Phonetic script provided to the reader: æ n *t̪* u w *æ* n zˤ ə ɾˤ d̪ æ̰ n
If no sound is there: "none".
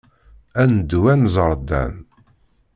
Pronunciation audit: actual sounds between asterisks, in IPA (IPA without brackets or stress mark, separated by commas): d̪, æ